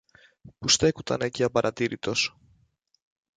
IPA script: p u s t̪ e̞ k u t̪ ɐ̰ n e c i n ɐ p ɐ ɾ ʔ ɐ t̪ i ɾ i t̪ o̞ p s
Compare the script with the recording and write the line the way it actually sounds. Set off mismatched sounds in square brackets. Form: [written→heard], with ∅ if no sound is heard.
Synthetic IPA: p u s t̪ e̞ k u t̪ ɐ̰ n e c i [n→∅] ɐ p ɐ ɾ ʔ ɐ t̪ i ɾ i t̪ o̞ [p→∅] s

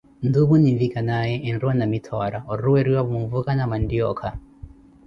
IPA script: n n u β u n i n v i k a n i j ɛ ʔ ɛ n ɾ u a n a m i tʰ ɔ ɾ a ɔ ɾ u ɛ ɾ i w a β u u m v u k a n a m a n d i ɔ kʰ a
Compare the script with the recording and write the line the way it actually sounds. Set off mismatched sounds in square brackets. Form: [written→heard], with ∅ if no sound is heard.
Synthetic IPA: n [n→d] u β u n i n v i k a n [i→a] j ɛ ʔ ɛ n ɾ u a n a m i tʰ ɔ ɾ a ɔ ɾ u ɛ ɾ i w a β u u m v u k a n a m a n d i ɔ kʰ a

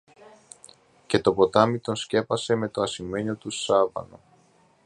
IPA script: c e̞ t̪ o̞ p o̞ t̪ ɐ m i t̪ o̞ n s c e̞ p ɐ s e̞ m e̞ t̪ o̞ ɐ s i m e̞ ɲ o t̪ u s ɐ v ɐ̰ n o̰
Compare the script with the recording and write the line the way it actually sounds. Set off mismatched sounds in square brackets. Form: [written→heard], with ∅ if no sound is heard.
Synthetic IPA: c e̞ t̪ o̞ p o̞ t̪ ɐ m i t̪ o̞ n s c e̞ p ɐ s e̞ m e̞ t̪ o̞ ɐ s i m e̞ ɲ o t̪ u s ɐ v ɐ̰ n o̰

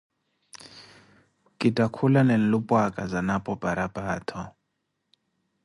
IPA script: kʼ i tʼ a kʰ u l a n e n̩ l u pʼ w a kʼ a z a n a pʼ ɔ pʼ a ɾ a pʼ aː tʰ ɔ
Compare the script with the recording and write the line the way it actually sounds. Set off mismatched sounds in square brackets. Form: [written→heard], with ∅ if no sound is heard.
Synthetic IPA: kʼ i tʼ a kʰ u l a n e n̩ l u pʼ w a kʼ a z a n a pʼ ɔ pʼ a ɾ a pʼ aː tʰ ɔ

